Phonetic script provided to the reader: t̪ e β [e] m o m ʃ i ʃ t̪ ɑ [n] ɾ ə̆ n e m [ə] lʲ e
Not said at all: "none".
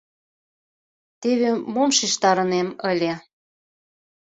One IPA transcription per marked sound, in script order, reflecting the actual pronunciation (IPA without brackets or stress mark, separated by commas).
e, none, ə